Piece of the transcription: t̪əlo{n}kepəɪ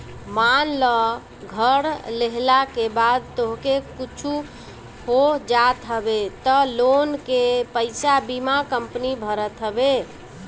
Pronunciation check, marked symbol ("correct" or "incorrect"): correct